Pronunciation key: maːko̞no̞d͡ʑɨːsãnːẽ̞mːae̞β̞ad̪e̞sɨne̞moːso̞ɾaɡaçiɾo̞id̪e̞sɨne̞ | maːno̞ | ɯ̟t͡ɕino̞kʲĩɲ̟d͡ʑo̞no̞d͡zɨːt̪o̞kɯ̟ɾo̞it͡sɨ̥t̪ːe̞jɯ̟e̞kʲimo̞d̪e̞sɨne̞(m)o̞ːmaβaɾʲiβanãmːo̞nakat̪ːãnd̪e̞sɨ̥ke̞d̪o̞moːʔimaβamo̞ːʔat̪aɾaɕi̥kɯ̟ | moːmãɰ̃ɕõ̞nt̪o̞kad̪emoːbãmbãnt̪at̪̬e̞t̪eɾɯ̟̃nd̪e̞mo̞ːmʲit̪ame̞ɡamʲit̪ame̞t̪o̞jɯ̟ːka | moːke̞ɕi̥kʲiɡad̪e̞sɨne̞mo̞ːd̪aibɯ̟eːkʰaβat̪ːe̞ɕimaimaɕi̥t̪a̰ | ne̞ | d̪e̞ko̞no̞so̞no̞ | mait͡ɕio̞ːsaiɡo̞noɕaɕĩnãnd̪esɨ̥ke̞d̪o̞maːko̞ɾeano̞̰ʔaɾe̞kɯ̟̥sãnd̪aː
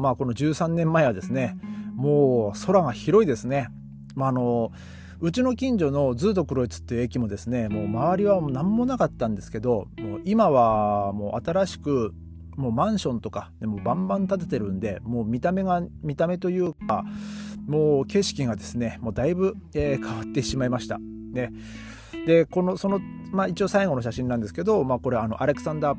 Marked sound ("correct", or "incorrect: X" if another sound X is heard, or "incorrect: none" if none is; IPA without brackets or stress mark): correct